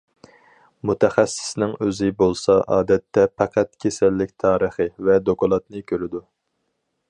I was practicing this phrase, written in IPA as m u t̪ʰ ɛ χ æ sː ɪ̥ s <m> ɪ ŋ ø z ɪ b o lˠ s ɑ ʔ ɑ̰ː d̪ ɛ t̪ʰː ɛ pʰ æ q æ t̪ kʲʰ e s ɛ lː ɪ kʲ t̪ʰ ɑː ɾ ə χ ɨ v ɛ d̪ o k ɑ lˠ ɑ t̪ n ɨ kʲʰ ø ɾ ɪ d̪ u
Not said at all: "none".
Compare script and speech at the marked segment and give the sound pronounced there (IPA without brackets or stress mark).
n